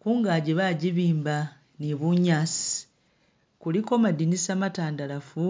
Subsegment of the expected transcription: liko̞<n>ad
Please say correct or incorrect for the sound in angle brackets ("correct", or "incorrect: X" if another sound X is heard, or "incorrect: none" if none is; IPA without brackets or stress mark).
incorrect: m